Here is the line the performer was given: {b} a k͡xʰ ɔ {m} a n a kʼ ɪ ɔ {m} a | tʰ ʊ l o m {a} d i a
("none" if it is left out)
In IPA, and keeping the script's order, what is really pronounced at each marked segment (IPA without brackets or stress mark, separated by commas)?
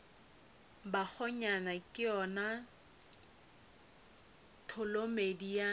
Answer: b, ɲ, n, e